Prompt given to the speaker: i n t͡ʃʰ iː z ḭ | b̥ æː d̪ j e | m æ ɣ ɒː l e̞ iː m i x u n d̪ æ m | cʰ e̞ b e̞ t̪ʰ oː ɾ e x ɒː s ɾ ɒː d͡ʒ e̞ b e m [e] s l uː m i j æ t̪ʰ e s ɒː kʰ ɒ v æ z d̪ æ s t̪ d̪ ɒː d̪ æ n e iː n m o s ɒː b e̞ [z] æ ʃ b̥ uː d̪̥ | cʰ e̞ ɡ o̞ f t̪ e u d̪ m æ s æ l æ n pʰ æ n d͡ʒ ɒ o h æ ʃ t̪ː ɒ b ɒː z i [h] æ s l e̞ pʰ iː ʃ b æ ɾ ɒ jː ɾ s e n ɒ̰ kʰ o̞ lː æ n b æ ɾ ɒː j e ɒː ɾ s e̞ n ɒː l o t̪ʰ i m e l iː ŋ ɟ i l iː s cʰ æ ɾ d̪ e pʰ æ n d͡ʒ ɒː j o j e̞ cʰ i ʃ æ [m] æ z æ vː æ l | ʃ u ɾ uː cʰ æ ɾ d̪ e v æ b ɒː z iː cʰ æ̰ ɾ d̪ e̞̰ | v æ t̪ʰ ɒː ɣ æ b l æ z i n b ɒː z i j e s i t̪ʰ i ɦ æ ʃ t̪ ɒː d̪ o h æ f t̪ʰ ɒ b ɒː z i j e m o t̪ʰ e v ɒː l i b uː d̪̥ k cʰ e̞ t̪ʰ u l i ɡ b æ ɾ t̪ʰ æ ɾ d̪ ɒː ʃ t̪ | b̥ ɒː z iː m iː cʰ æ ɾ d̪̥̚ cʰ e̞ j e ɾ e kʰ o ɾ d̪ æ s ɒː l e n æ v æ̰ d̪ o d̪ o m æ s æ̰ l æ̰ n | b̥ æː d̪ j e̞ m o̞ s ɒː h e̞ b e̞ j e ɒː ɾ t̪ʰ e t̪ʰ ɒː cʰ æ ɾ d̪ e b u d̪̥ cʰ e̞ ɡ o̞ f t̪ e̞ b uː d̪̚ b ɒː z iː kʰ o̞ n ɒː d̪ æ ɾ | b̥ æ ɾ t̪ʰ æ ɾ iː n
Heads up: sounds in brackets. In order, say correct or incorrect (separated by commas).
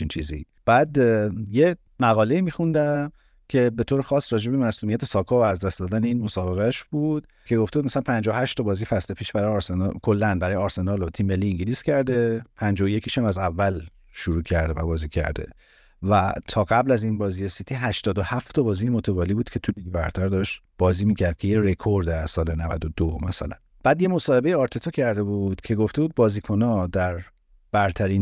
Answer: incorrect, incorrect, incorrect, correct